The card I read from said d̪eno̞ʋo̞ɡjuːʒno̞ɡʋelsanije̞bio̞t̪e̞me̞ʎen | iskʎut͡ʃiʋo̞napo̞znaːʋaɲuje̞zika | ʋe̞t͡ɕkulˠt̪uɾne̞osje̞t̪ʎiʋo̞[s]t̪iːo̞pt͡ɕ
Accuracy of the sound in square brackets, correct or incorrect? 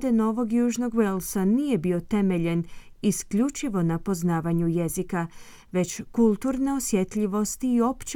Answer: correct